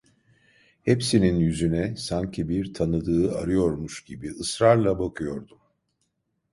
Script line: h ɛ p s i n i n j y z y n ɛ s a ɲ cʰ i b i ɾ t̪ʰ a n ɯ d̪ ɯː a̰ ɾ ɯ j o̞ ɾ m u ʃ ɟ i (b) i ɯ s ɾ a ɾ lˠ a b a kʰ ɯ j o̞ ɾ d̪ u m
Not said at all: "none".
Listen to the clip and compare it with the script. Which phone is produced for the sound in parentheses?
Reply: b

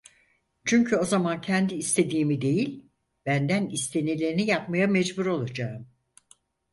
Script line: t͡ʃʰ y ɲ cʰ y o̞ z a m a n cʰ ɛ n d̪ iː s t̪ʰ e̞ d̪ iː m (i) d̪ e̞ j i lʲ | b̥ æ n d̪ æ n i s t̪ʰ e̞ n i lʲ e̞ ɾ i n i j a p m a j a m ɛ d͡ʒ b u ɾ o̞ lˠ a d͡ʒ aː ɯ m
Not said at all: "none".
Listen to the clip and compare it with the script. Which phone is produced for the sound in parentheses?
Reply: i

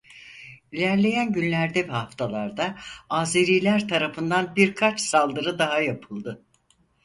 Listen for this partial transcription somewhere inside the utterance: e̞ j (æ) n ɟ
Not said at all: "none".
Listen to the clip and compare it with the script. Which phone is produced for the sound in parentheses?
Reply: æ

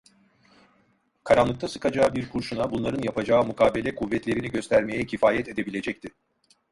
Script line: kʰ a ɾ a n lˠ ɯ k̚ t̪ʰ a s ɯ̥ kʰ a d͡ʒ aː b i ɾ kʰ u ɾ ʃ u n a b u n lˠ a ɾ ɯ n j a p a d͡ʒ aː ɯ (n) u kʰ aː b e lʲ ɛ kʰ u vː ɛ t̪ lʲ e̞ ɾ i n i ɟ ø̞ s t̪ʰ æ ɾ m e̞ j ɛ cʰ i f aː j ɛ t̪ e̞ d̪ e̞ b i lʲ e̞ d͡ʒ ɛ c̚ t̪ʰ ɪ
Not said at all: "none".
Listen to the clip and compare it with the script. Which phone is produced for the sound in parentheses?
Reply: m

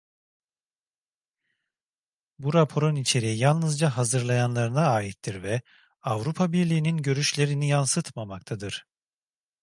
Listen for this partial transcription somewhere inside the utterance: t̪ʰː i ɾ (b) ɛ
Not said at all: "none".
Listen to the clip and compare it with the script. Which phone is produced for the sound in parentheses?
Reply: v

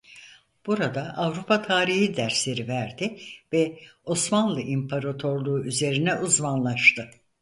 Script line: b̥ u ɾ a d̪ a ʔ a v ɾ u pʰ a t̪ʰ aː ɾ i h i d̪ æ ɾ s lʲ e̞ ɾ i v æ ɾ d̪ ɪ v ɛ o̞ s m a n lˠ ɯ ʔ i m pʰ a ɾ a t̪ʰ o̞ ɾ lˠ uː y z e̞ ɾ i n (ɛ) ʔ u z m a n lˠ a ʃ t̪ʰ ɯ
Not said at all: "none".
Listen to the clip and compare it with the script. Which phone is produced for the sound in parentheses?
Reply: ɛ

